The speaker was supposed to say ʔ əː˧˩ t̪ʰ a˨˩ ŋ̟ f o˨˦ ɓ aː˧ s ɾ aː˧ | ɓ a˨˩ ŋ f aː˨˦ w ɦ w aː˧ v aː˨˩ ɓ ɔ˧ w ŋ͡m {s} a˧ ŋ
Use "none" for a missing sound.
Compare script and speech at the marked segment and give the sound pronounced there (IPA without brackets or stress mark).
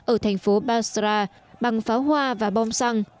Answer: s